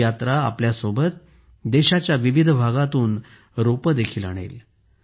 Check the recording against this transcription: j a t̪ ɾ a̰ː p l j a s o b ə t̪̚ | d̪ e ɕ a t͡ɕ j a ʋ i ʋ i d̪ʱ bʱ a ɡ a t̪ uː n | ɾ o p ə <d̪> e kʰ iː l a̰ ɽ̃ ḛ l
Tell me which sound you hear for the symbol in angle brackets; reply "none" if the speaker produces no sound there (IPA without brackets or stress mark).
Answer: d̪